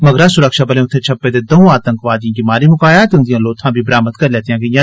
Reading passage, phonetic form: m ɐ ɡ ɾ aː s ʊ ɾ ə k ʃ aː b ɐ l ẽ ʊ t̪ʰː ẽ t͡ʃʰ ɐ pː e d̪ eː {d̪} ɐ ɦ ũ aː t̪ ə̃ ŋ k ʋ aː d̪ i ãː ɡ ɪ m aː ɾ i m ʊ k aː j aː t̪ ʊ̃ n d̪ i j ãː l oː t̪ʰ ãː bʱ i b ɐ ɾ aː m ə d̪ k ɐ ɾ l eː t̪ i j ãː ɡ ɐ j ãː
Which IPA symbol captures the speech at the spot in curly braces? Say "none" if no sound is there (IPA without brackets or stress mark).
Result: d̪